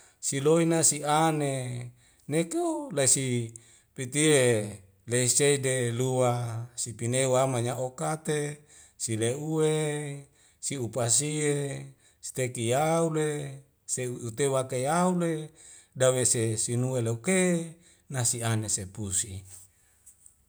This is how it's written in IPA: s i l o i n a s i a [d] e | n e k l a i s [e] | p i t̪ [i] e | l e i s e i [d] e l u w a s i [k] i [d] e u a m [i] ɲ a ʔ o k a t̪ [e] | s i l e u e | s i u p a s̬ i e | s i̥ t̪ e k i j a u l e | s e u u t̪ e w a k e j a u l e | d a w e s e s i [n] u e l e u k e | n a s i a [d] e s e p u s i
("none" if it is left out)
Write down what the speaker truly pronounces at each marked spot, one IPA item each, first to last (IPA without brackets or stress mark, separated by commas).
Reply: n, i, i, d, p, n, a, e, n, n